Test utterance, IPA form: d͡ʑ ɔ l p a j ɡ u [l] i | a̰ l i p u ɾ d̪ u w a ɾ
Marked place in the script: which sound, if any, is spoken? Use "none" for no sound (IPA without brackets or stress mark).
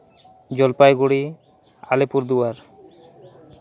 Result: ɽ